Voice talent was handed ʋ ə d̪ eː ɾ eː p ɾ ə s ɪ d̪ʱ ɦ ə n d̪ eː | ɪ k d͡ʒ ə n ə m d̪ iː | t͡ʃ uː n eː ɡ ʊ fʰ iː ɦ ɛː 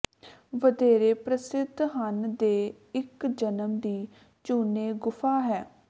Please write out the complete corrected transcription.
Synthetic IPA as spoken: ʋ ə d̪ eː ɾ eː p ɾ ə s ɪ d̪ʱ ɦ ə n d̪ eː | ɪ k d͡ʒ ə n ə m d̪ iː | t͡ʃ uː n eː ɡ ʊ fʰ aː ɦ ɛː